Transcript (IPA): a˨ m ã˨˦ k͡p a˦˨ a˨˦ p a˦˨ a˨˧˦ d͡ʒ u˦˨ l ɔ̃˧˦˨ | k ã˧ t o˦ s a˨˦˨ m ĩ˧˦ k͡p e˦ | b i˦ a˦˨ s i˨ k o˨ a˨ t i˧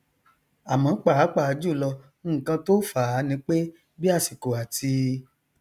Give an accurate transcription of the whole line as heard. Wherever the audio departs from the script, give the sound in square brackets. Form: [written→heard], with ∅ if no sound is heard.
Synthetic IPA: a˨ m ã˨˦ k͡p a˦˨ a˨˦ [p→k͡p] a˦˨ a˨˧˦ d͡ʒ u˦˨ l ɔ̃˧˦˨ | k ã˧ t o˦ [s→f] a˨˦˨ [m→n] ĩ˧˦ k͡p e˦ | b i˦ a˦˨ s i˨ k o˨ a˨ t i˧